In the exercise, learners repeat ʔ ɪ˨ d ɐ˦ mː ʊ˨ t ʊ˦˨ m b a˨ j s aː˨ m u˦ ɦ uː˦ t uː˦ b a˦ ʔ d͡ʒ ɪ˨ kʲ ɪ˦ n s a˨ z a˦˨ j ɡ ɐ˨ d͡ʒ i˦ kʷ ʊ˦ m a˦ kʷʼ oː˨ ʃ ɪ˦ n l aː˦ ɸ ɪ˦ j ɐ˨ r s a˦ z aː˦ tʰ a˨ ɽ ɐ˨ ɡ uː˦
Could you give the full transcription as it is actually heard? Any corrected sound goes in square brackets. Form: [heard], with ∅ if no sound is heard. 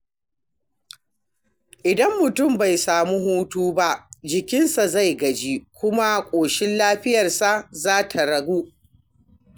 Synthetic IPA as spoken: ʔ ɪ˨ d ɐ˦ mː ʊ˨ t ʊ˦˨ m b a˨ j s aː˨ m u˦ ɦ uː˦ t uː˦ b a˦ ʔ d͡ʒ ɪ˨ kʲ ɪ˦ n s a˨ z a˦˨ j ɡ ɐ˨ d͡ʒ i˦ kʷ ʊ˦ m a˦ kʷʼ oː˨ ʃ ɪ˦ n l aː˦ ɸ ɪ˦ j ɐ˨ r s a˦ z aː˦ tʰ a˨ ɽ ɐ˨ ɡ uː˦